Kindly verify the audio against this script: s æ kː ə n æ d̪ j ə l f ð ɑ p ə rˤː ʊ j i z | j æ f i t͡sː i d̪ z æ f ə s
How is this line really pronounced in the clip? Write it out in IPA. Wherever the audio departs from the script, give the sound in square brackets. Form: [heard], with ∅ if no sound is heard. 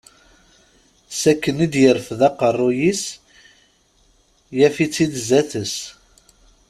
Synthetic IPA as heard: s æ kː ə n [i] d̪ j ə [ɾ] f ð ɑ [q] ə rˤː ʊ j i [s] | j æ f i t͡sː i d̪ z æ [θ] ə s